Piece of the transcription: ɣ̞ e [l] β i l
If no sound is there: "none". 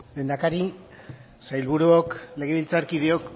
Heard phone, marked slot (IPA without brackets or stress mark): none